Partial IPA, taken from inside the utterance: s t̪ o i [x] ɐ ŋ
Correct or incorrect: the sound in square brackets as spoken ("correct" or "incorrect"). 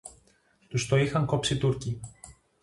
correct